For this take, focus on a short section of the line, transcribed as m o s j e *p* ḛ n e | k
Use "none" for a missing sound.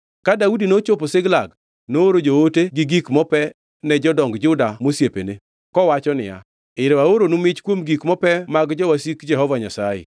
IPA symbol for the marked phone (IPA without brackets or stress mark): p